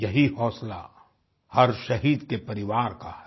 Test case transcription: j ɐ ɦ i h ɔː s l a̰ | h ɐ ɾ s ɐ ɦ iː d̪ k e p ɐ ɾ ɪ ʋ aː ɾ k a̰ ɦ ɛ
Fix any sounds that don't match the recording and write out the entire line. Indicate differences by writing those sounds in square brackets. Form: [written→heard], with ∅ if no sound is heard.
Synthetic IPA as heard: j ɐ ɦ i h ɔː s l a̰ | h ɐ ɾ [s→ʃ] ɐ ɦ iː d̪ k e p ɐ ɾ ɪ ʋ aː ɾ k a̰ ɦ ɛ

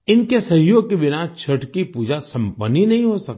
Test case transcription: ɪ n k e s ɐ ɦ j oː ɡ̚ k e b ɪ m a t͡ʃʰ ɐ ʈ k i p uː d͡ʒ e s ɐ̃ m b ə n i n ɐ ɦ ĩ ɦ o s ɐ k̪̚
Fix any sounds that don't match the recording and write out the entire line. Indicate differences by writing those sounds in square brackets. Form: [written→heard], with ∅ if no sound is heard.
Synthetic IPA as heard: ɪ n k e s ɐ ɦ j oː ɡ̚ k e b ɪ [m→n] a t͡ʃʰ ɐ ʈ k i p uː d͡ʒ [e→a] s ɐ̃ m [b→p] ə n i n ɐ ɦ ĩ ɦ o s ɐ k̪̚

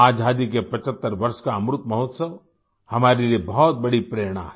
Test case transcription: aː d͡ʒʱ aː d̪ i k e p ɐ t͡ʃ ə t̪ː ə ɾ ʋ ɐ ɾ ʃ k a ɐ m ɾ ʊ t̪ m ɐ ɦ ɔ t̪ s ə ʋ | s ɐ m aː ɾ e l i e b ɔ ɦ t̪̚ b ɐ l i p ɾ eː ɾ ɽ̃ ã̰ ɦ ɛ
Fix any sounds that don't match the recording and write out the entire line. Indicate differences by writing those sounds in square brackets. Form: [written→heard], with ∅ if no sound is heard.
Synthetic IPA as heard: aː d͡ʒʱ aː d̪ i k e p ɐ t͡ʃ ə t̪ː ə ɾ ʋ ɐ ɾ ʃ k a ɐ m ɾ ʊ t̪ m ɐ ɦ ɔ t̪ s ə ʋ | [s→h] ɐ m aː ɾ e l i e b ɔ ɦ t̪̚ b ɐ [l→ɽ] i p ɾ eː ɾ ɽ̃ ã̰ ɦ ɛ

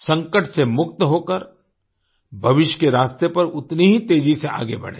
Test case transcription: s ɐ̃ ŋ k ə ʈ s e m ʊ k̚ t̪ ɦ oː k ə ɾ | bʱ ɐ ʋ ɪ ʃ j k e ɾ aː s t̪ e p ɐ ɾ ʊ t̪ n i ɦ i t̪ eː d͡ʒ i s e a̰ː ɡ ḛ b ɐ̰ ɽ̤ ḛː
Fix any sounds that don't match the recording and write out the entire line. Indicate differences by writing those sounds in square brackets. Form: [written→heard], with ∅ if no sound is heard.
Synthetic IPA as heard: s ɐ̃ ŋ k ə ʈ s e m ʊ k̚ t̪ ɦ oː k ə ɾ | bʱ ɐ ʋ ɪ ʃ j k e ɾ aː s t̪ e p ɐ ɾ ʊ t̪ n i ɦ i t̪ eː d͡ʒ i s e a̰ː ɡ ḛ b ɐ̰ ɽ̤ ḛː

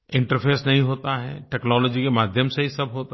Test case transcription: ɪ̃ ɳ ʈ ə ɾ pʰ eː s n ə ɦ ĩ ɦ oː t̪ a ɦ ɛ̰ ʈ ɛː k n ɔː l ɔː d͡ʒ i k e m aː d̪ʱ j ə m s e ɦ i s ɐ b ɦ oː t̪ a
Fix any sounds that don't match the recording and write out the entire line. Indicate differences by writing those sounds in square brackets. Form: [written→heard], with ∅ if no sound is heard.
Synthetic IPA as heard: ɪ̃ ɳ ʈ ə ɾ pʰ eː s n [ə→ɐ] ɦ ĩ ɦ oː t̪ a ɦ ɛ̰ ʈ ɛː k n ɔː l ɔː d͡ʒ i k e m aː d̪ʱ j ə m s e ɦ i s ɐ b ɦ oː t̪ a

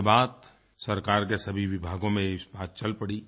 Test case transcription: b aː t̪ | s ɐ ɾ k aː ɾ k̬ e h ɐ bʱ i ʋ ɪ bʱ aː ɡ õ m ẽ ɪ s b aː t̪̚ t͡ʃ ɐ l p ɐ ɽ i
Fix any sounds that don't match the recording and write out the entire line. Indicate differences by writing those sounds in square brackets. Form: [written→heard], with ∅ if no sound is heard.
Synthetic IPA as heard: b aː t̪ | s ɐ ɾ k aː ɾ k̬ e [h→s] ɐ bʱ i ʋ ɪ bʱ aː ɡ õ m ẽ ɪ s b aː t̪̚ t͡ʃ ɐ l p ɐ ɽ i

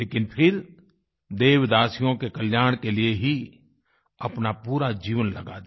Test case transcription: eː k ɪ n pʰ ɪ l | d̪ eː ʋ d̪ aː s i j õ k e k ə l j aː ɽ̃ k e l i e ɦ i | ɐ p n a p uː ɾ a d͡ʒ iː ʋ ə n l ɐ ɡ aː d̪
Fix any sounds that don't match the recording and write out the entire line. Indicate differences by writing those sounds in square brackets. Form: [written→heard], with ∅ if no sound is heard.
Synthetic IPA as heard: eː k ɪ n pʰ ɪ [l→ɾ] | d̪ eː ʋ d̪ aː s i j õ k e k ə l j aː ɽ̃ k e l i e ɦ i | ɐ p n a p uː ɾ a d͡ʒ iː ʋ ə n l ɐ ɡ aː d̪

